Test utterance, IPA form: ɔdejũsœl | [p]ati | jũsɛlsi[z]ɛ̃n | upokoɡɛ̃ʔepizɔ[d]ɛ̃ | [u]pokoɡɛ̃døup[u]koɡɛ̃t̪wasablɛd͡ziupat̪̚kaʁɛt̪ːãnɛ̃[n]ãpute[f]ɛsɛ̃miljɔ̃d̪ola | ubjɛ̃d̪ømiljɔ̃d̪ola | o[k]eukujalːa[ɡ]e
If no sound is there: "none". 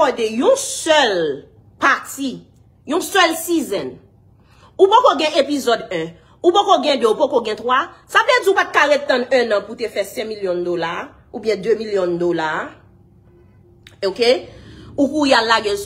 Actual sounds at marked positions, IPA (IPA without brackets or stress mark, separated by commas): p, z, d, u, o, n, f, k, ɡ